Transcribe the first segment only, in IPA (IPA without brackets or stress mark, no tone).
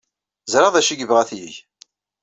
z